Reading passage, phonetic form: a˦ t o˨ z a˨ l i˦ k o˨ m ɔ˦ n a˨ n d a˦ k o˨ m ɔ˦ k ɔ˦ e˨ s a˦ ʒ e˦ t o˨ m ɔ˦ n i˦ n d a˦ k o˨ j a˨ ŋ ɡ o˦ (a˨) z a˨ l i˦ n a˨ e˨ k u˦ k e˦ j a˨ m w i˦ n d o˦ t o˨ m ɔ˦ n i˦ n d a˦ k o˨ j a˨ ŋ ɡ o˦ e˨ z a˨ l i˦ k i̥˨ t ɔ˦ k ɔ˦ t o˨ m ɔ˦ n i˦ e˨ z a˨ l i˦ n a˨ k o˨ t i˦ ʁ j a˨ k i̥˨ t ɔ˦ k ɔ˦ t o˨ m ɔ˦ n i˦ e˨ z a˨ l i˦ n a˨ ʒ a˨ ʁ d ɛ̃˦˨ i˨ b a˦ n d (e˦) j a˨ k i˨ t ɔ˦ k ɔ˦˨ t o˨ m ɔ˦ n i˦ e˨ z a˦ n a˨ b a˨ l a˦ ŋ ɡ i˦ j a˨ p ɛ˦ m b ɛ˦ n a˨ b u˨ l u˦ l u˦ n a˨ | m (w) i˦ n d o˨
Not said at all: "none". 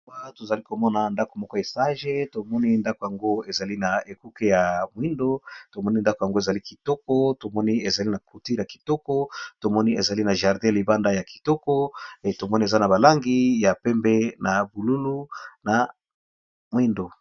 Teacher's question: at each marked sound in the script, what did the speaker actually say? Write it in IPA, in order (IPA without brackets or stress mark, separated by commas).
e˨, a˦, w